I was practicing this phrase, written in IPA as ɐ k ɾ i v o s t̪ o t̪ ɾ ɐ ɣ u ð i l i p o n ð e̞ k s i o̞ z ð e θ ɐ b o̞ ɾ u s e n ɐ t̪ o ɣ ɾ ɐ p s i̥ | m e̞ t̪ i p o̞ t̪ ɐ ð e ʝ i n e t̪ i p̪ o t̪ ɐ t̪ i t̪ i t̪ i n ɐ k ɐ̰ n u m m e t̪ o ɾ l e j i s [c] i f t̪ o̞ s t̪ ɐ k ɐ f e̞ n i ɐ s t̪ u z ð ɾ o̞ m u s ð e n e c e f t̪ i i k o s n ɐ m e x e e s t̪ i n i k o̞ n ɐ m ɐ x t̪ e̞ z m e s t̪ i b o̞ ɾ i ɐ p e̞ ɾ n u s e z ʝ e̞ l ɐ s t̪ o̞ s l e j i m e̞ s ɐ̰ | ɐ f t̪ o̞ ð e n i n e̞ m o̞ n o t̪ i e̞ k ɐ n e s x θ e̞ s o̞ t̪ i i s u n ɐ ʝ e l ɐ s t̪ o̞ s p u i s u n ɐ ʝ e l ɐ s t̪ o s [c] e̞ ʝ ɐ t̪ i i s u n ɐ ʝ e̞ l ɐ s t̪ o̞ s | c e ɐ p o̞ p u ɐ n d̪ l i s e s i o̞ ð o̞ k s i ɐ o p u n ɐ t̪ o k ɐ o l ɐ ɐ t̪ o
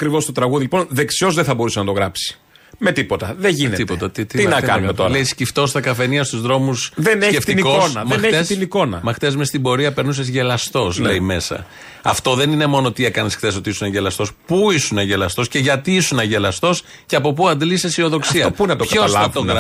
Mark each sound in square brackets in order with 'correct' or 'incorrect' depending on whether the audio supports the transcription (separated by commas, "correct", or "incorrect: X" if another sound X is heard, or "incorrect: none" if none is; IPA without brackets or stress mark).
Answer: correct, correct